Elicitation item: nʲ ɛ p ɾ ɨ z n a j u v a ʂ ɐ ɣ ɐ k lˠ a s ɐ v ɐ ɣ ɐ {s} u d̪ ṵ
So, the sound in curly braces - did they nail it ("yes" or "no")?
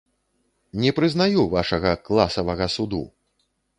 yes